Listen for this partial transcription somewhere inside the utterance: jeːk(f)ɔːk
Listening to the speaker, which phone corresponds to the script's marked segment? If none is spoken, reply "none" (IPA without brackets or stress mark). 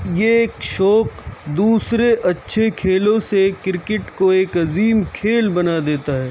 ʃ